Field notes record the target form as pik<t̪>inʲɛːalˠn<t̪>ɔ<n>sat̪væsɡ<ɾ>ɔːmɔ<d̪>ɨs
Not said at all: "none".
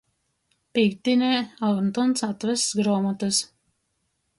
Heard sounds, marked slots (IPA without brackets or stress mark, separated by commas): t̪, t̪, n, ɾ, t̪